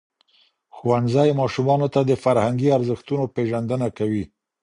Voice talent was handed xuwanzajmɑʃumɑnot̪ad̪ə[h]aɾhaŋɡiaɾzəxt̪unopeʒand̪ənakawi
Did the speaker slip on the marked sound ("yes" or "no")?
yes